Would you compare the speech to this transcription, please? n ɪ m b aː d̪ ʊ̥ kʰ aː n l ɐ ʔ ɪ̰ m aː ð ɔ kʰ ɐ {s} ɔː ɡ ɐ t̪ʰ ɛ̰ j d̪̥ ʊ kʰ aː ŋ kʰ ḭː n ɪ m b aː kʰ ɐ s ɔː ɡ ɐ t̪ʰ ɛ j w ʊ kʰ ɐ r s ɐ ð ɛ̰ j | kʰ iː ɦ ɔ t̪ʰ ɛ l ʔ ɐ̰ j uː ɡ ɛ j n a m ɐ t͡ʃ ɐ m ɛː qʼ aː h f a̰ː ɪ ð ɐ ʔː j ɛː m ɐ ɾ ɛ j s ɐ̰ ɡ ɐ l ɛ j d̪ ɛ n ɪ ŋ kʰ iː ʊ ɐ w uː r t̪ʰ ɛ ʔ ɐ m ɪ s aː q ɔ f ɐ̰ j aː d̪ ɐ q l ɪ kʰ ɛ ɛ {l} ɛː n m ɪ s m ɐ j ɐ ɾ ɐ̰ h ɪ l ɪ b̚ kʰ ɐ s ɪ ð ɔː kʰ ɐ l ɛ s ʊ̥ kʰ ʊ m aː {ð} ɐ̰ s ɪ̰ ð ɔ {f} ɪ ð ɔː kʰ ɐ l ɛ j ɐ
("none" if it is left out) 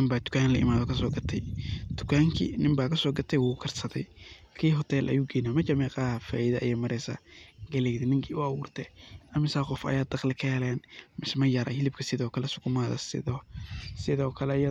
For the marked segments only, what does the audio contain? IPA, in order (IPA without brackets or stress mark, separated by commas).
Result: s, l, ð, s